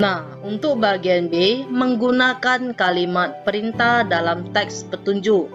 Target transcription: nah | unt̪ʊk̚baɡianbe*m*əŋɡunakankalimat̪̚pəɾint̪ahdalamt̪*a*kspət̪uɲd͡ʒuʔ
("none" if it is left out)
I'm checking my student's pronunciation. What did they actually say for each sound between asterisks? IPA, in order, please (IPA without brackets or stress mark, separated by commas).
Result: m, ɛ